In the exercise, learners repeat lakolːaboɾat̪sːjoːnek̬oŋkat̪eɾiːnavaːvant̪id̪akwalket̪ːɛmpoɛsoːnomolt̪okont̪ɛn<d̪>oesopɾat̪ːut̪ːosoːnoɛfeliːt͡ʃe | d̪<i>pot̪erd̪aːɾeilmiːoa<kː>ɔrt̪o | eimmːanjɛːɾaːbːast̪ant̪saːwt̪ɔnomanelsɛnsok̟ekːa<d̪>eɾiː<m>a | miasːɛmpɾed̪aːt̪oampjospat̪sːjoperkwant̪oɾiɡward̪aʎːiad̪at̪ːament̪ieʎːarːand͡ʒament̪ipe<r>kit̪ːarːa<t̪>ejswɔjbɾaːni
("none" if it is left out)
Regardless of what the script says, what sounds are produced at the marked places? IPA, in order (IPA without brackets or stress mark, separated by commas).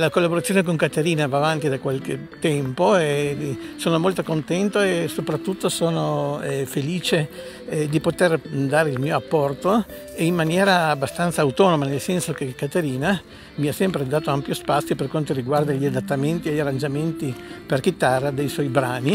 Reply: t̪, i, pː, t̪, n, r, d̪